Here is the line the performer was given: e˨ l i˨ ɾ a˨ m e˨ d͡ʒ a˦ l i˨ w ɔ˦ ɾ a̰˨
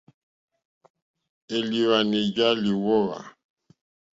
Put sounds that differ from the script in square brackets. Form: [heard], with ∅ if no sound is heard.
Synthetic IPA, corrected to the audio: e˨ l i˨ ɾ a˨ [n] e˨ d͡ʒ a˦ l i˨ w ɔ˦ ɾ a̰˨